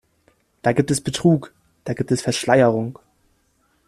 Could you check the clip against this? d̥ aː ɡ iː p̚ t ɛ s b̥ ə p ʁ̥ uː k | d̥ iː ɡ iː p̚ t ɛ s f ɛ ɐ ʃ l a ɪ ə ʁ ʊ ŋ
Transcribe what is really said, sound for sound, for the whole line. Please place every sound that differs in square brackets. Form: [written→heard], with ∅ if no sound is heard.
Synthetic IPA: d̥ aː ɡ iː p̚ t ɛ s b̥ ə [p→t] ʁ̥ uː k | d̥ [iː→aː] ɡ iː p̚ t ɛ s f ɛ ɐ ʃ l a ɪ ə ʁ ʊ ŋ